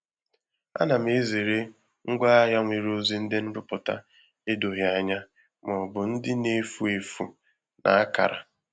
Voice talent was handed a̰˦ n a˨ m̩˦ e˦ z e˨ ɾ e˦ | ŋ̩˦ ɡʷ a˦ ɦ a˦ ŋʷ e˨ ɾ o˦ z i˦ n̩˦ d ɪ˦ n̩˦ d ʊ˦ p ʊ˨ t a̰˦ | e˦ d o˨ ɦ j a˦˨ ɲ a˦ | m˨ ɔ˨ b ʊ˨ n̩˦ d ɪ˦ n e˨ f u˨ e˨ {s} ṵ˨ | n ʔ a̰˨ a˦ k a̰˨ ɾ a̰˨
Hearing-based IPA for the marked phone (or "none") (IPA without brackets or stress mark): f